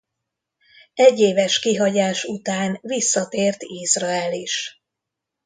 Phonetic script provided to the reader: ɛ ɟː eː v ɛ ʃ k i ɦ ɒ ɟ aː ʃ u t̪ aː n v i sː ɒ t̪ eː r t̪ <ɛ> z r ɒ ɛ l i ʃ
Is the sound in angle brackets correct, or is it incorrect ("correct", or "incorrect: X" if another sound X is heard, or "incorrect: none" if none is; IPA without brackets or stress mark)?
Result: incorrect: i